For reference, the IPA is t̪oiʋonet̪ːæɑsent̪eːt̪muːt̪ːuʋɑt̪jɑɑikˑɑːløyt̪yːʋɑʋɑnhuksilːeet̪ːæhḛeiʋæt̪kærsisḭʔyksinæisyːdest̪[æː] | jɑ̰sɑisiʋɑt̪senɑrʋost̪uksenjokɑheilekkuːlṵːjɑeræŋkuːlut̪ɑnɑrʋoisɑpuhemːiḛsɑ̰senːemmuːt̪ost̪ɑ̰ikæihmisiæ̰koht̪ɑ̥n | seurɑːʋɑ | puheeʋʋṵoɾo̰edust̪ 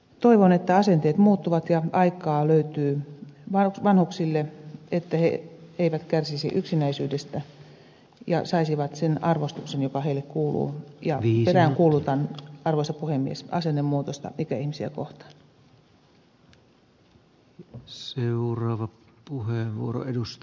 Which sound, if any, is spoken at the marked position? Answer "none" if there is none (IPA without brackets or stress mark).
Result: æ